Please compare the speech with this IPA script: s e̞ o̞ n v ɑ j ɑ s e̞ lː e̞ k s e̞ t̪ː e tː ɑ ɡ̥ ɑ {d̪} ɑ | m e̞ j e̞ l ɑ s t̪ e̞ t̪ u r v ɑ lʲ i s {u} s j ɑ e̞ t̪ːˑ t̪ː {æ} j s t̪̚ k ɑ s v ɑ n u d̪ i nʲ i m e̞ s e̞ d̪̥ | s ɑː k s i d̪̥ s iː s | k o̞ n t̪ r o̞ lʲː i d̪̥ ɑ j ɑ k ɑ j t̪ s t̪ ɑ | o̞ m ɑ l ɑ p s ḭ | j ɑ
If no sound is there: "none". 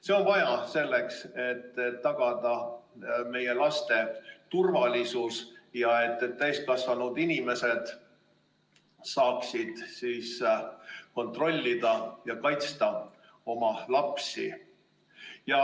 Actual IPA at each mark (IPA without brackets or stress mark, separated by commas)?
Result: d̪, u, æ